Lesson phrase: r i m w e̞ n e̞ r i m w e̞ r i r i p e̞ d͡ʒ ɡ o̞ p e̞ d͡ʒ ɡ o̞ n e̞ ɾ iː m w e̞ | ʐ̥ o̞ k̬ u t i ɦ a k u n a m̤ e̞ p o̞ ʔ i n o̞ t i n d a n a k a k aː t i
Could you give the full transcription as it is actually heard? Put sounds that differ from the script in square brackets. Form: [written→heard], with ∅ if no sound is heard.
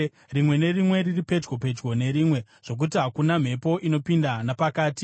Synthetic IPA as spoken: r i m w e̞ n e̞ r i m w e̞ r i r i p e̞ d͡ʒ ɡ o̞ p e̞ d͡ʒ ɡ o̞ n e̞ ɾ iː m w e̞ | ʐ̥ o̞ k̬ u t i ɦ a k u n a m̤ e̞ p o̞ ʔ i n o̞ [t→p] i n d a n a [k→p] a k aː t i